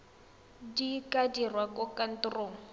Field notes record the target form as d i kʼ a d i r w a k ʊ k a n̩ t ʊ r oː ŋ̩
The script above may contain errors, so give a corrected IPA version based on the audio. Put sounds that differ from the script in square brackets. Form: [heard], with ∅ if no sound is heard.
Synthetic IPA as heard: d i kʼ a d i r w a k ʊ k a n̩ t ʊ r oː ŋ̩